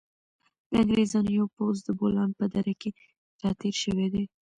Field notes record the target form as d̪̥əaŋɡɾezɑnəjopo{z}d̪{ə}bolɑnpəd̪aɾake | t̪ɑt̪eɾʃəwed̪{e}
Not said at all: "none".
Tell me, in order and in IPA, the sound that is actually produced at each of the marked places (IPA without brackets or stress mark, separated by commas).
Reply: z, ə, e